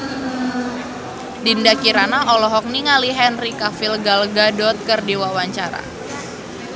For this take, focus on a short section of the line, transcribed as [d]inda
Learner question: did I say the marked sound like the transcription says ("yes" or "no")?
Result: yes